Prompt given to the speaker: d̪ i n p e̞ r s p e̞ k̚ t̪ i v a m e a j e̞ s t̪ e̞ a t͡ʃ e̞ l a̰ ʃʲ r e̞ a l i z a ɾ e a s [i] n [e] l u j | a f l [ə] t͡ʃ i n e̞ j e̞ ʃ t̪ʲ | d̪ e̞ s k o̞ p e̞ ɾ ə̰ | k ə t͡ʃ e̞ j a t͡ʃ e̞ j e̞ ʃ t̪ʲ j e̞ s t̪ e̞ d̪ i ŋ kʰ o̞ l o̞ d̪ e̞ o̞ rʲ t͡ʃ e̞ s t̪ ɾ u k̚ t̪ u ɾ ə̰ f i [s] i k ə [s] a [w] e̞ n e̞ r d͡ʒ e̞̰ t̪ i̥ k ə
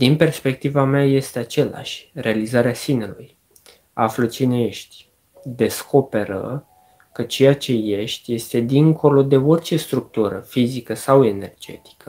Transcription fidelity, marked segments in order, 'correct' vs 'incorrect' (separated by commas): correct, correct, correct, incorrect, correct, correct